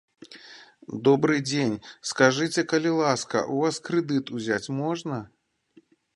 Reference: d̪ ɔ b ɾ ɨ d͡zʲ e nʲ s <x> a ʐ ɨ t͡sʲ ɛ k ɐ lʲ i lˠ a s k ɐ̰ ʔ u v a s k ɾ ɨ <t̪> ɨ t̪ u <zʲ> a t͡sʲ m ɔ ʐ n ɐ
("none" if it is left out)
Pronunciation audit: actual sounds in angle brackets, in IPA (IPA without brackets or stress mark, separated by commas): k, d̪, zʲ